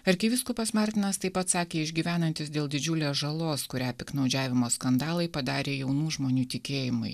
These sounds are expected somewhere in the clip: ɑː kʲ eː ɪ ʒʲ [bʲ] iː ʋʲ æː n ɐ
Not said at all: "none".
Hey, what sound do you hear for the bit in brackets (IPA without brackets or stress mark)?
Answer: ɡʲ